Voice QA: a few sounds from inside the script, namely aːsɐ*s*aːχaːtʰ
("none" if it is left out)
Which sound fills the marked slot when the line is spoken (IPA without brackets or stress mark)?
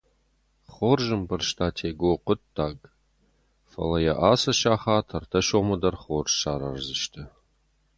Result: ʃ